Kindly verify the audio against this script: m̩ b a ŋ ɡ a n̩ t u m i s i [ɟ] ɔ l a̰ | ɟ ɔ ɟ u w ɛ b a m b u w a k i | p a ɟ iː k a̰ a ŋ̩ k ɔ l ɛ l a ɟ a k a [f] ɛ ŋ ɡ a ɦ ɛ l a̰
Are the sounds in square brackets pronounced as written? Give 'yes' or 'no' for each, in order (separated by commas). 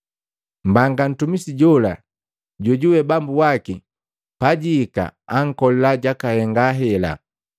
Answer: yes, no